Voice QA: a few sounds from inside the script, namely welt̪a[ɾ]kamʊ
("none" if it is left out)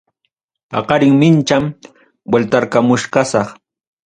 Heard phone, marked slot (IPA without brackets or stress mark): ɾ